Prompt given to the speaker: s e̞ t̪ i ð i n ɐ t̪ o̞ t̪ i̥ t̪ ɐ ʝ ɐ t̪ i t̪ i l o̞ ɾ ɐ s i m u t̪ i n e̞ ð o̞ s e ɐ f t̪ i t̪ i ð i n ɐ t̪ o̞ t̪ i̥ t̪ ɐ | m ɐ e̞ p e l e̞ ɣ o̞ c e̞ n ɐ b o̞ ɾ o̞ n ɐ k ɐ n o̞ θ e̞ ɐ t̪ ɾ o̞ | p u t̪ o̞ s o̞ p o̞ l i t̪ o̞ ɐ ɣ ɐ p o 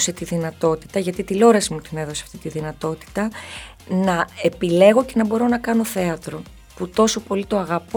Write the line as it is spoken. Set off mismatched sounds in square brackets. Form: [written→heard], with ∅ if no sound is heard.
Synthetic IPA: s e̞ t̪ i ð i n ɐ t̪ o̞ t̪ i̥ t̪ ɐ ʝ ɐ t̪ i t̪ i l o̞ ɾ ɐ s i m u t̪ i n e̞ ð o̞ s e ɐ f t̪ i t̪ i ð i n ɐ t̪ o̞ t̪ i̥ t̪ ɐ | [m→n] ɐ e̞ p [e→i] l e̞ ɣ o̞ c e̞ n ɐ b o̞ ɾ o̞ n ɐ k ɐ n o̞ θ e̞ ɐ t̪ ɾ o̞ | p u t̪ o̞ s o̞ p o̞ l i t̪ o̞ ɐ ɣ ɐ p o